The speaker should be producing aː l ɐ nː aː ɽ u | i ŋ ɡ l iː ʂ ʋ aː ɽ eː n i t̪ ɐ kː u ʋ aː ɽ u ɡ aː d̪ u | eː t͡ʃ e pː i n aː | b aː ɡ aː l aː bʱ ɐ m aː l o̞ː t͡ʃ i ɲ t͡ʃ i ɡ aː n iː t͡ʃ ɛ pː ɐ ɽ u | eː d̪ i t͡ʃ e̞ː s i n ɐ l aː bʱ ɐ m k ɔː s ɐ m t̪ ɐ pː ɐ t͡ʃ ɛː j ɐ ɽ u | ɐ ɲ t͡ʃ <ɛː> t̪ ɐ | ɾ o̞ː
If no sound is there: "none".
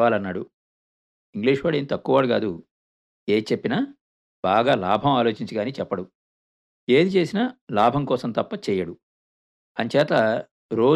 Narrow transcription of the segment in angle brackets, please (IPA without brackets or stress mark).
ɛː